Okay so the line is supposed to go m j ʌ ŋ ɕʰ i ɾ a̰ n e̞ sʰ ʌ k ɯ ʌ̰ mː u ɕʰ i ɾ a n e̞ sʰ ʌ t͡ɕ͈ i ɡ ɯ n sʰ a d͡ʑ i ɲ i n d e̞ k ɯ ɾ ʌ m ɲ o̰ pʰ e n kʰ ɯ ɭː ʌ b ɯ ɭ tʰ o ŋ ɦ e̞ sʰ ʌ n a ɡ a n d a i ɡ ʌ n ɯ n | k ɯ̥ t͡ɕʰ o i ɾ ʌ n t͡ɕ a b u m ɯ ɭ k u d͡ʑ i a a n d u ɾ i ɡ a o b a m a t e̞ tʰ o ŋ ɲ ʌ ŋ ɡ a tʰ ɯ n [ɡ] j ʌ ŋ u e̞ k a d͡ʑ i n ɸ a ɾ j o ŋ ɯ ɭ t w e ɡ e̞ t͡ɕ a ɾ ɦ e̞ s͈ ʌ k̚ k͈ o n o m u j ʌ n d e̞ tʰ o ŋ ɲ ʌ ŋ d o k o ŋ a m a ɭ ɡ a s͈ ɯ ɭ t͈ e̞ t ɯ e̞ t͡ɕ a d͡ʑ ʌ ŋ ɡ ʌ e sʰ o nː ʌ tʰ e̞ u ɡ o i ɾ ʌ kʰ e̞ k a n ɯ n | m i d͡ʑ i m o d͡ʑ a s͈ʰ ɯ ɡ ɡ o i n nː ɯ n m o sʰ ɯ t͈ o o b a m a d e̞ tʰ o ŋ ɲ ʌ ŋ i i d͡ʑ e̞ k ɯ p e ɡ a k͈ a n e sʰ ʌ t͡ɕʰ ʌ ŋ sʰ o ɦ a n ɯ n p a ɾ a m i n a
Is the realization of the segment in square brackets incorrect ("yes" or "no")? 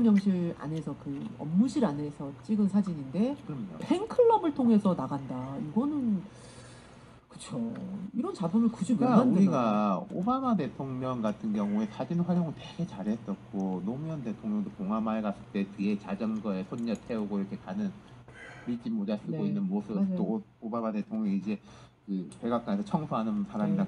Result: no